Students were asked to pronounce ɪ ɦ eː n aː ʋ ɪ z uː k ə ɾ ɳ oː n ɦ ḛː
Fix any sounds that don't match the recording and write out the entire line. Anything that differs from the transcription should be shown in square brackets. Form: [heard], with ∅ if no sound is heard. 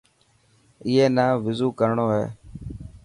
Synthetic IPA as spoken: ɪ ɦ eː n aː ʋ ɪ z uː k ə ɾ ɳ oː [∅] ɦ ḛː